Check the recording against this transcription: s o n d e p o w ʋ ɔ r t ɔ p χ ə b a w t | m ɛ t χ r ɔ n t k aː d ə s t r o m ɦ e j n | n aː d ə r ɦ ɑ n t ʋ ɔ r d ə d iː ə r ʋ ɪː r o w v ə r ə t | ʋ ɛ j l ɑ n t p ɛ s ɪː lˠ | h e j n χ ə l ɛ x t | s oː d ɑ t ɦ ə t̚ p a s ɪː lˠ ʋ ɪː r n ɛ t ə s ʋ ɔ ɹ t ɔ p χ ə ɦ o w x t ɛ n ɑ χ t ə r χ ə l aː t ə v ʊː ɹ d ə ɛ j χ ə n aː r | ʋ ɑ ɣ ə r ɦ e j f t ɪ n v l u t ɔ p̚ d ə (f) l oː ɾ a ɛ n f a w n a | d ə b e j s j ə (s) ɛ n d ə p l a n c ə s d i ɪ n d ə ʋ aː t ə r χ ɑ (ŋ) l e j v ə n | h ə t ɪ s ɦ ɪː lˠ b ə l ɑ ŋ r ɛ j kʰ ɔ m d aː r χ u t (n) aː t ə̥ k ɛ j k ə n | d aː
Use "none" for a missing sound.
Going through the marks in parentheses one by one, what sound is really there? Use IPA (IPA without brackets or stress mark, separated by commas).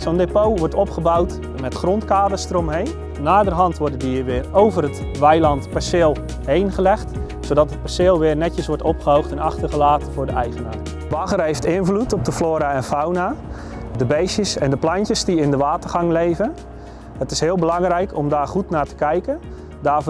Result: f, s, ŋ, n